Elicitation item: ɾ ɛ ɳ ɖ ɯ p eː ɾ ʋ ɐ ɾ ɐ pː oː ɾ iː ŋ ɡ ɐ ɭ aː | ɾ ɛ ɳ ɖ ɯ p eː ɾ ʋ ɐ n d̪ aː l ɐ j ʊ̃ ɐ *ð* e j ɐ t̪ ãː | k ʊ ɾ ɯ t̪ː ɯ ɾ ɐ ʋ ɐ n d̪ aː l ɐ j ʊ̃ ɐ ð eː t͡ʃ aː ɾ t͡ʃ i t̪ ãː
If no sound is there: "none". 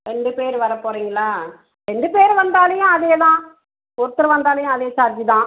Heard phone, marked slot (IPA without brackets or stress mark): ð